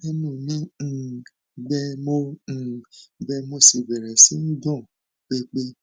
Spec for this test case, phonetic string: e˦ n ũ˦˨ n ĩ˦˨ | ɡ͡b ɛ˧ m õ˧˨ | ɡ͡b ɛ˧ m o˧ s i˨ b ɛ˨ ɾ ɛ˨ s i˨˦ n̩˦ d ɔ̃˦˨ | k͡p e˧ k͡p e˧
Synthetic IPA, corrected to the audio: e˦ n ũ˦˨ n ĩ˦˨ | ɡ͡b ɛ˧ m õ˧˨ | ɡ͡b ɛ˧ m o˧ s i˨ b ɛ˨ ɾ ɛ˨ s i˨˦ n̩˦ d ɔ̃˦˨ | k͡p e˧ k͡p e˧